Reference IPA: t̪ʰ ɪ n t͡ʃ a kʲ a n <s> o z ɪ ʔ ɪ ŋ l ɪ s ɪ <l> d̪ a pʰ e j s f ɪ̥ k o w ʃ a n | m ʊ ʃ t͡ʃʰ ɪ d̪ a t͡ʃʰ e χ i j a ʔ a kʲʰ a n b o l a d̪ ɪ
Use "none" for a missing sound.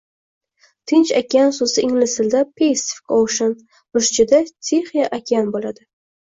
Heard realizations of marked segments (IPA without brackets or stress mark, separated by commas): s, l